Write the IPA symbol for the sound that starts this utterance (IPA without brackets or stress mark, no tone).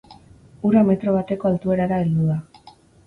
u